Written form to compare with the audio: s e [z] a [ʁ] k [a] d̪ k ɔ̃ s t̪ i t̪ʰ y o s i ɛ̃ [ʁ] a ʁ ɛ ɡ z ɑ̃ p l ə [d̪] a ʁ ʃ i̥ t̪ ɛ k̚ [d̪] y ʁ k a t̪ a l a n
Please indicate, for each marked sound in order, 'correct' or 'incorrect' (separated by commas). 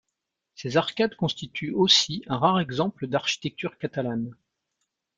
correct, correct, correct, correct, correct, incorrect